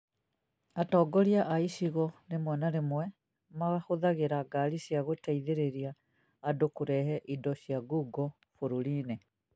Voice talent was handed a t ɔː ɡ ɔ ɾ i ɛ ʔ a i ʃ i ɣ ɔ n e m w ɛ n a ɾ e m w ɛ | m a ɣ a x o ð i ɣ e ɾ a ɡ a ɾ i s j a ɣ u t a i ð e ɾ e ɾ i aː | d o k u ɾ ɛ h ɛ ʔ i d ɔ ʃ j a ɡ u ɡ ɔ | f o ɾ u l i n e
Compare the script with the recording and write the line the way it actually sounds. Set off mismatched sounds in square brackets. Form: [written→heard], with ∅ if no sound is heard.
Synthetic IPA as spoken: a t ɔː ɡ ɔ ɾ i [ɛ→a] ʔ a i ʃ i ɣ ɔ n e m w ɛ n a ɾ e m w ɛ | m a ɣ a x o ð [i→a] ɣ e ɾ a ɡ a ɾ i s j a ɣ [u→o] t a i ð e ɾ e ɾ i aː | d o k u ɾ ɛ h ɛ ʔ i d ɔ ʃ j a ɡ u ɡ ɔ | f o ɾ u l i n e